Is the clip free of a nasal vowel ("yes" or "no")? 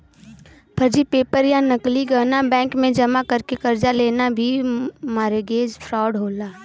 no